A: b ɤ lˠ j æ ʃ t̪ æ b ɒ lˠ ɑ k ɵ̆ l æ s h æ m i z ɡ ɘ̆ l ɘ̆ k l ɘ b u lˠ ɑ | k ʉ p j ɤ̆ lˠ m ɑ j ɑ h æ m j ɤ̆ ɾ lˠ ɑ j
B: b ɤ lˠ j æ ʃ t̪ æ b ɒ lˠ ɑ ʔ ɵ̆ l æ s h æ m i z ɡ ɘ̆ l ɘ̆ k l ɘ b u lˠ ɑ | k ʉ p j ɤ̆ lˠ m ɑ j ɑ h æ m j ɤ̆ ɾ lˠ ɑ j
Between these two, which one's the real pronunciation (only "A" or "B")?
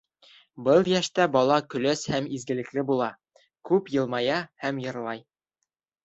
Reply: A